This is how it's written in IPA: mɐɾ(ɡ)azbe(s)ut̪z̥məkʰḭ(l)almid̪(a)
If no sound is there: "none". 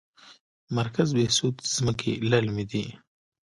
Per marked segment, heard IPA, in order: k, s, l, i

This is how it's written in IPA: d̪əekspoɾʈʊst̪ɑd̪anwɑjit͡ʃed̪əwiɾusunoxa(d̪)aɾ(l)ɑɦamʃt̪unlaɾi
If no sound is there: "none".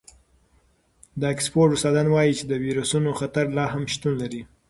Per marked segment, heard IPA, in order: t̪, l

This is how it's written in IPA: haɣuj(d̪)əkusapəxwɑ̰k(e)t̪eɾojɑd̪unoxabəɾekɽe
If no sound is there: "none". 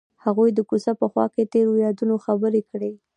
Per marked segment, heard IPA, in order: d̪, e

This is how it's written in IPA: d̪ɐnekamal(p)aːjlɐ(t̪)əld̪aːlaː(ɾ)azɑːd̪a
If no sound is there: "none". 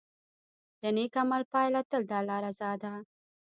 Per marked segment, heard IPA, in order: p, t̪, ɾ

